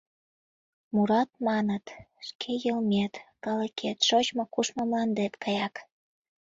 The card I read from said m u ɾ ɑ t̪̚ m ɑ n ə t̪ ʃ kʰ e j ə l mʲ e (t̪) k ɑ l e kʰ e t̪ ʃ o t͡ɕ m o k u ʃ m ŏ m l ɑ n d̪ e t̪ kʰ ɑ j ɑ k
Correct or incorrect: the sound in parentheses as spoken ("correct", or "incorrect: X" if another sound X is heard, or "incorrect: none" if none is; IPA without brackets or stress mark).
correct